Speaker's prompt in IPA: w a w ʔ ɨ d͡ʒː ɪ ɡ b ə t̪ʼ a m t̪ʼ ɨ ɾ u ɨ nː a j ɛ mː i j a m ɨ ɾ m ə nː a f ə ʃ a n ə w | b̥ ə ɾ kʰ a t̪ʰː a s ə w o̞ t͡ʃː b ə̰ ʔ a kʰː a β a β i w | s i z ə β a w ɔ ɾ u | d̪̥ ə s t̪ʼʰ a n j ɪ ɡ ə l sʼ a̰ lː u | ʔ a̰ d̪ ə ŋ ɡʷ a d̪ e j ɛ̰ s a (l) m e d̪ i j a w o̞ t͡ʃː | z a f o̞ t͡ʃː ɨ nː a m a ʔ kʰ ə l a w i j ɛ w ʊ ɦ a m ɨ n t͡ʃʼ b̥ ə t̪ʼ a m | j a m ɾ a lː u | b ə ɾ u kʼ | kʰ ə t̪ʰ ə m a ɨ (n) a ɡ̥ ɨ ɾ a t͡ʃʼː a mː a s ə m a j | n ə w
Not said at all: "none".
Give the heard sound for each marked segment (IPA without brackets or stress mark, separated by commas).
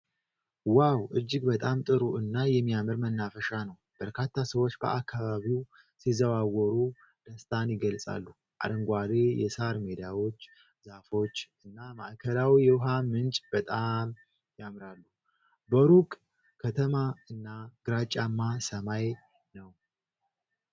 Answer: ɾ, nː